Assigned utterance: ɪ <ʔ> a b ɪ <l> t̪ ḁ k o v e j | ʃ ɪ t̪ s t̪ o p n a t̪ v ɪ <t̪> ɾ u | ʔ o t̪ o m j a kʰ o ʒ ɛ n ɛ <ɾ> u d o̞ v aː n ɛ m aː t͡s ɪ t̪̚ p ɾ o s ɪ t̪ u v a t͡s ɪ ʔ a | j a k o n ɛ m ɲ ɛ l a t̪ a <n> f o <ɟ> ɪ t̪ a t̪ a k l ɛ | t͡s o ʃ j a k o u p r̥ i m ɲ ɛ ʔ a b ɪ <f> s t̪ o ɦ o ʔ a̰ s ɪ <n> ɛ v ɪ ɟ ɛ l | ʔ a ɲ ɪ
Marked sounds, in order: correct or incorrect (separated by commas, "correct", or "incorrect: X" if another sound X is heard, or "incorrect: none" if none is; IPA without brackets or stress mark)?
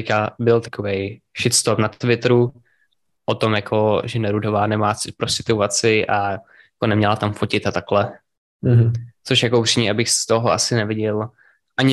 incorrect: k, correct, correct, correct, incorrect: m, incorrect: c, incorrect: x, correct